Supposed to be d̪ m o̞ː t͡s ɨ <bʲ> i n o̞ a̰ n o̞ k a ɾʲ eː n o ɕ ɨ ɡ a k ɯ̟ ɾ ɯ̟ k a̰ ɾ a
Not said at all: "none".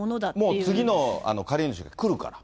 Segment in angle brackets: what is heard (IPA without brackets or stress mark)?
ɡʲ